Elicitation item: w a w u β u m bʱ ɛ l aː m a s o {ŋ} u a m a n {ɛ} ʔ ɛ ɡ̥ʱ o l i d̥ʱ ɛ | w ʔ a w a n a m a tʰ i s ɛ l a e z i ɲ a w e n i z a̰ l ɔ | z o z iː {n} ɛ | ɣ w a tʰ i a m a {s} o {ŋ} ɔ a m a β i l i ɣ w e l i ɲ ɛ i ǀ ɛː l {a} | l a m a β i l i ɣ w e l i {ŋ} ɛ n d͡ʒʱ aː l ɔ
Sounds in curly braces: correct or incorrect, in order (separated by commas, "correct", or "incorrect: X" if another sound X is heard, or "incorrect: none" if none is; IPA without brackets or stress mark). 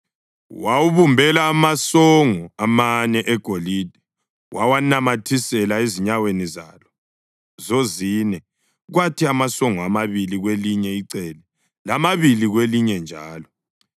correct, correct, correct, correct, correct, incorrect: ɛ, incorrect: ɲ